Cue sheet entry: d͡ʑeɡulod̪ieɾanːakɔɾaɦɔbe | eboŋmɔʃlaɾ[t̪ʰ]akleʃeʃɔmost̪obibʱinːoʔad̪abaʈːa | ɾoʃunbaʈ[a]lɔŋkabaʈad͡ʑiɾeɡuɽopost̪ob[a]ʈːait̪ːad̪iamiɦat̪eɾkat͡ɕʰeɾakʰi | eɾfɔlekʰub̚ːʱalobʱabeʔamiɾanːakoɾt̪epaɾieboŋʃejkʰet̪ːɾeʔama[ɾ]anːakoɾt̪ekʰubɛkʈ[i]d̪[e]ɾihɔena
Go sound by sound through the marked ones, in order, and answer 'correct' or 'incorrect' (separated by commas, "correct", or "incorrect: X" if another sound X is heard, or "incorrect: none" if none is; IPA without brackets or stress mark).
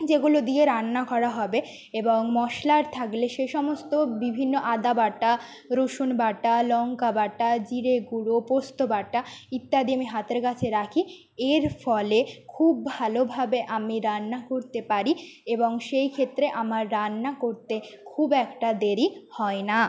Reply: correct, correct, correct, incorrect: ɾː, incorrect: a, correct